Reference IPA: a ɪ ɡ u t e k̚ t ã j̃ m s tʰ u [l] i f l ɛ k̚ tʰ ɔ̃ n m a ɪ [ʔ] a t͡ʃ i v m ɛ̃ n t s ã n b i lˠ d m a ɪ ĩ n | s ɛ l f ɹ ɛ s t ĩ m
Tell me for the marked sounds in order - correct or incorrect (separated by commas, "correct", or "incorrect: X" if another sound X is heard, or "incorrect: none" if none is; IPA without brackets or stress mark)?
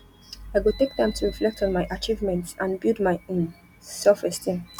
incorrect: ɹ, correct